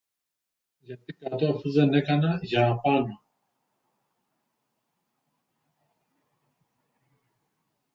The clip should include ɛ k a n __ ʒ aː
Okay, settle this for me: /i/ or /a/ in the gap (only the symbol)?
a